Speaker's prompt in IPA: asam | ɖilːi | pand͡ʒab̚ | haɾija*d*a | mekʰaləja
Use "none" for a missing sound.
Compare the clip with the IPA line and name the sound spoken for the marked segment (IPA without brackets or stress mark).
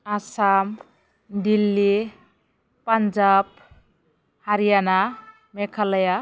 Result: n